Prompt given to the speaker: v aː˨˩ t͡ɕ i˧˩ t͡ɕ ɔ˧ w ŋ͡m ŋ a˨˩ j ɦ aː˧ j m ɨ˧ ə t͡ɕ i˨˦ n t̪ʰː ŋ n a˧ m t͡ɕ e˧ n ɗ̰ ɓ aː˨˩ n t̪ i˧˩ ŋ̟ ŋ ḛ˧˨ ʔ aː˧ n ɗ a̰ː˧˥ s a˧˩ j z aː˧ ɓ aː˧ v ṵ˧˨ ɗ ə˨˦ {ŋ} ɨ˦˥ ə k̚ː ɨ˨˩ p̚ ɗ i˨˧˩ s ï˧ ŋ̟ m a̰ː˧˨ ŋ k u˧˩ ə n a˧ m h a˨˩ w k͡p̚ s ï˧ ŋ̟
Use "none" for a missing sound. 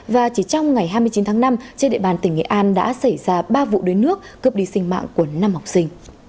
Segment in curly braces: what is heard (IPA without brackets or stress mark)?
n